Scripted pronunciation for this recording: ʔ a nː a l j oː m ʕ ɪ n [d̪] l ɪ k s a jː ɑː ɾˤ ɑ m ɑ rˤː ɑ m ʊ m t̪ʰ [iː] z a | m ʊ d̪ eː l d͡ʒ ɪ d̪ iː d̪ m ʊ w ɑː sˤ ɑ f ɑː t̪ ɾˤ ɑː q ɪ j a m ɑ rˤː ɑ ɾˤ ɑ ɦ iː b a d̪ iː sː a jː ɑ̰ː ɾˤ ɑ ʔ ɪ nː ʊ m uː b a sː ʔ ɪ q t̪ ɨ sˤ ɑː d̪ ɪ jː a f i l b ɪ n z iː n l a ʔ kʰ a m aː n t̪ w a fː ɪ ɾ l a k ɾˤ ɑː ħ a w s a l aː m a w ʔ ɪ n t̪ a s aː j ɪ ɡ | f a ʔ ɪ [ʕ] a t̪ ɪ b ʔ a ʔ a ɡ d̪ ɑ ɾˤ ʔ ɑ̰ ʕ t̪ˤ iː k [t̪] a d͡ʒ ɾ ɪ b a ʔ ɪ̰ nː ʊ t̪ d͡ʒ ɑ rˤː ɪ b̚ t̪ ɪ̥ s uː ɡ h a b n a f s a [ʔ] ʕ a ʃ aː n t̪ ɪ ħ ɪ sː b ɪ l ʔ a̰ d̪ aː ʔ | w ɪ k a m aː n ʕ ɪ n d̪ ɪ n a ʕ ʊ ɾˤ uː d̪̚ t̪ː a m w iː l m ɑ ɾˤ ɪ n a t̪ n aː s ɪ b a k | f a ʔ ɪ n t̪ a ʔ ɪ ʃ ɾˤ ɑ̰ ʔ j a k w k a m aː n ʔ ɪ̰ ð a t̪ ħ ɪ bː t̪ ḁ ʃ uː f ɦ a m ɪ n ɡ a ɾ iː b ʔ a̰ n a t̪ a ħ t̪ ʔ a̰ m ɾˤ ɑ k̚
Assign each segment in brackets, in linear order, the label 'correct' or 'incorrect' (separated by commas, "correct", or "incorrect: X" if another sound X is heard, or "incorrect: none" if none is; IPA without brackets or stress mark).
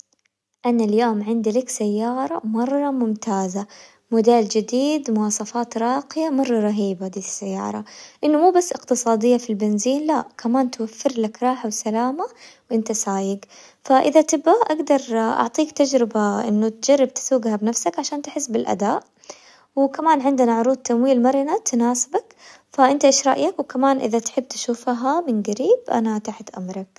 correct, incorrect: aː, incorrect: ð, correct, incorrect: k